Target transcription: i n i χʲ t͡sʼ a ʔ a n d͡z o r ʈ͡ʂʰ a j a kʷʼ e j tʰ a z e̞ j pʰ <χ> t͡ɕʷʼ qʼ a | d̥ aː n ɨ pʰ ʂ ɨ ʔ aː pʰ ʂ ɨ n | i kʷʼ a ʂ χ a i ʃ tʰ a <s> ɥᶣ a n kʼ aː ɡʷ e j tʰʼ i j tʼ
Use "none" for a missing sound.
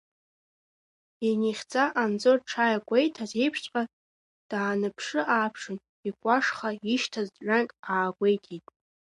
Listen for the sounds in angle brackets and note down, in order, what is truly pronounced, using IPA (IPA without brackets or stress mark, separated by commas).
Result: ʂ, z